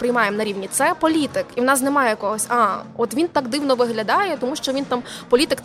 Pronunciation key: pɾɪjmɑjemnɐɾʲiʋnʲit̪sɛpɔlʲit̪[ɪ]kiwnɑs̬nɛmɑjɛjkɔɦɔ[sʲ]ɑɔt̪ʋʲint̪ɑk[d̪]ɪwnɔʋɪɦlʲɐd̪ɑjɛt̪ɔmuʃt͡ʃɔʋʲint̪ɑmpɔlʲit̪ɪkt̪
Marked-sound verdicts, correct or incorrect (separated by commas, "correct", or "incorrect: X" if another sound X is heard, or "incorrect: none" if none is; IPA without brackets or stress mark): correct, correct, correct